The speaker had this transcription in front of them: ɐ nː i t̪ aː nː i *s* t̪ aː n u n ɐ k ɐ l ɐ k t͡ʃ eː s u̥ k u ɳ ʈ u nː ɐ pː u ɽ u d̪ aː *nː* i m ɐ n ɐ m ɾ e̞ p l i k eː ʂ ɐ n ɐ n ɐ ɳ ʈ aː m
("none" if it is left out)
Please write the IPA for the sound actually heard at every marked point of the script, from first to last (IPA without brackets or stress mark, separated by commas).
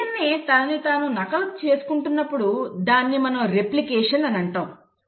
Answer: none, nː